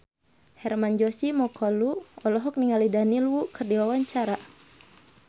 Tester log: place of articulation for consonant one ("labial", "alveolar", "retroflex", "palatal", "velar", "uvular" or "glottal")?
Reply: glottal